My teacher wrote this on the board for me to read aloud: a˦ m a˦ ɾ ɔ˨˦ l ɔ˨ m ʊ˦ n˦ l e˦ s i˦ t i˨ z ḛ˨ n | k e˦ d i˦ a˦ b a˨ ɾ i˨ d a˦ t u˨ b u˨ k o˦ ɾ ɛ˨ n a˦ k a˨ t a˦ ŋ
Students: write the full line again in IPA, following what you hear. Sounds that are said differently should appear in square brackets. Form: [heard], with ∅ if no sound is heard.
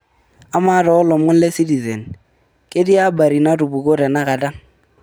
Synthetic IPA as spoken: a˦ m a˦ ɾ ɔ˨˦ l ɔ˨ m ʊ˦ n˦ l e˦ s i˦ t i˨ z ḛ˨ n | k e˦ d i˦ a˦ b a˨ ɾ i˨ [n] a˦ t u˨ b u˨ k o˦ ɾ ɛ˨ n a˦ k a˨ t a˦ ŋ